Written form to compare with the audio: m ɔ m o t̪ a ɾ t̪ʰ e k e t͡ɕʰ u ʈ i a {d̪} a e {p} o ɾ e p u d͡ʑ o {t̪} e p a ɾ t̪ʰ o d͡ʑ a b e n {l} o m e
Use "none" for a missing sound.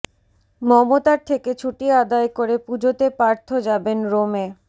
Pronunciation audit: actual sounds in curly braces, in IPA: d̪, k, t̪, ɾ

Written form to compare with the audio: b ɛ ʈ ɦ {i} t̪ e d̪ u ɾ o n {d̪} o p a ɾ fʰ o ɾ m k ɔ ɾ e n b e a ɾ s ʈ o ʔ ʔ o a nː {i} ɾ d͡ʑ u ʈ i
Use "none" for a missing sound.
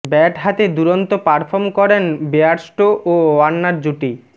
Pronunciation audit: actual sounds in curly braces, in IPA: a, t̪, a

